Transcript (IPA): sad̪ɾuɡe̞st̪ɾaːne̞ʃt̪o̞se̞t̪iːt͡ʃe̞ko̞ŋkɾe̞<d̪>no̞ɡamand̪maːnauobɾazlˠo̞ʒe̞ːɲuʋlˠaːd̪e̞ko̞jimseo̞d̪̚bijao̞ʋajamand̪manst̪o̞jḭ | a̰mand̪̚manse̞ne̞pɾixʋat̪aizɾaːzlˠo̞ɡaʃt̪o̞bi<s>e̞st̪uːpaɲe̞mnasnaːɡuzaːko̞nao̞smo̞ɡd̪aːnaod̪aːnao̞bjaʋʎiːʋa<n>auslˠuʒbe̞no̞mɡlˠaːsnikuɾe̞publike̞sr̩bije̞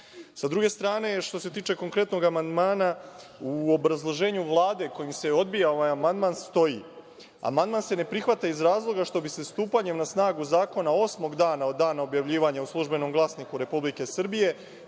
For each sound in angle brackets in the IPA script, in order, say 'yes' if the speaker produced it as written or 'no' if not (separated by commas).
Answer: no, yes, no